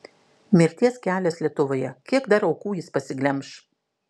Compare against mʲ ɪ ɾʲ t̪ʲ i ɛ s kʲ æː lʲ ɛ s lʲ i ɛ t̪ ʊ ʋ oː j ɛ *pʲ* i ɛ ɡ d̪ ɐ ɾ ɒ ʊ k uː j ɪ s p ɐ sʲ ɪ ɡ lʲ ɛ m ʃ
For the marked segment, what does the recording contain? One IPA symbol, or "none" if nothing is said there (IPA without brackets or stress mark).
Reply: kʲ